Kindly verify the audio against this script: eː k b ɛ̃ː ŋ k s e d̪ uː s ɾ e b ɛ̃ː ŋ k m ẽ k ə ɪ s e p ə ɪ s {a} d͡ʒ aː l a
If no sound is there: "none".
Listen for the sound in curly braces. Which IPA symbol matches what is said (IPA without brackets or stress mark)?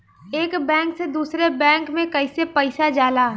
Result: a